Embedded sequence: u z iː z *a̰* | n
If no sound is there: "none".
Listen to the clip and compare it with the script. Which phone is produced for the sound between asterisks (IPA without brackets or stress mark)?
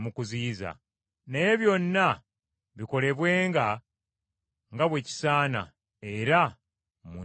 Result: a̰